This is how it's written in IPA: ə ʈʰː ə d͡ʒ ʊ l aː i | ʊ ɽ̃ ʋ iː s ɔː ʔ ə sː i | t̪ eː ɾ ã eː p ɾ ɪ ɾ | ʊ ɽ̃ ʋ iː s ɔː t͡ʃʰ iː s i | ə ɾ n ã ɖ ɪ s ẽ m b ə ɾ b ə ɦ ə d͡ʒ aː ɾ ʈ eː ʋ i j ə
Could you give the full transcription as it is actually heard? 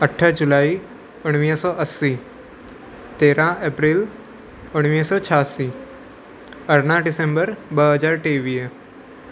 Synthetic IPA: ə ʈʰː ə d͡ʒ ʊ l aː i | ʊ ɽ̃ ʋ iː s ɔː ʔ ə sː i | t̪ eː ɾ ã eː p ɾ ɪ l | ʊ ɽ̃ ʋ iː s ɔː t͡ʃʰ aː s i | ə ɾ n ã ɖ ɪ s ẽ m b ə ɾ b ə ɦ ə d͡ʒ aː ɾ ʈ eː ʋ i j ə